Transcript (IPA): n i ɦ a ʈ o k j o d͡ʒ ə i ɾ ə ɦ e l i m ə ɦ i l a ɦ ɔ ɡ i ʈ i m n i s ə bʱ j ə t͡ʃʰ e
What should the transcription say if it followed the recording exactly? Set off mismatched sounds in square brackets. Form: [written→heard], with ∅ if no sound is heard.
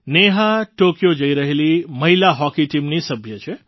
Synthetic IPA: n [i→e] ɦ a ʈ o k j o d͡ʒ ə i ɾ ə ɦ e l i m ə ɦ i l a ɦ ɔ [ɡ→k] i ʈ i m n i s ə bʱ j ə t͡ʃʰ e